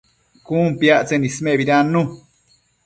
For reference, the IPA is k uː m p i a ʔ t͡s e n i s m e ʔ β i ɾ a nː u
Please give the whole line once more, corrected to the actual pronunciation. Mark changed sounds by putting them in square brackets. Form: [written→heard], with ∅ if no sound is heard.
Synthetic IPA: k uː m p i a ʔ t͡s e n i s m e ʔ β i ɾ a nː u